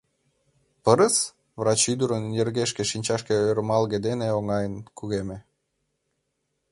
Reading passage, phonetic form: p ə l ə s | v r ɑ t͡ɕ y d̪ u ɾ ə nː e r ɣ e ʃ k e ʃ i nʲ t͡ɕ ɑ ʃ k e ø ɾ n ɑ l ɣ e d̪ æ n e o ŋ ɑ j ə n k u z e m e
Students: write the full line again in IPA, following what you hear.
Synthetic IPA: p ə ɾ ə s | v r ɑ t͡ɕ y d̪ u ɾ ə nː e r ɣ e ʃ k e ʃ i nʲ t͡ɕ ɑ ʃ k e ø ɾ m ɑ l ɣ e d̪ e n e o ŋ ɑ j ə n k u ɣ e m e